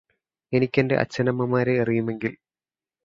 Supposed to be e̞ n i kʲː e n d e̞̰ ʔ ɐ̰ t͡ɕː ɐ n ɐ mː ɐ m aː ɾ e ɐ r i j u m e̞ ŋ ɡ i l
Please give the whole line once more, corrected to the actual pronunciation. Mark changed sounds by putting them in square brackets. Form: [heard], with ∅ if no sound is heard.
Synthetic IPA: e̞ n i kʲː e n d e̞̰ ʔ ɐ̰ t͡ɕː ɐ n ɐ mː ɐ m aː ɾ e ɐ r i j u m e̞ ŋ ɡ i l